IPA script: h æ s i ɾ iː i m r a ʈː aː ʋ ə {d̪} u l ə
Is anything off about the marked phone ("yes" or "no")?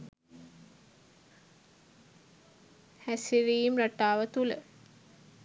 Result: yes